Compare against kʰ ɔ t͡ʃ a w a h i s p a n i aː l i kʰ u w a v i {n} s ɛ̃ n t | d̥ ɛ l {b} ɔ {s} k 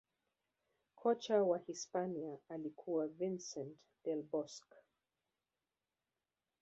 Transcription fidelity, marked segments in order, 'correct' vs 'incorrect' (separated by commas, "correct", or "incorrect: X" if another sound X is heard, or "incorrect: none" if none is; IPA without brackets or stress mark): correct, correct, correct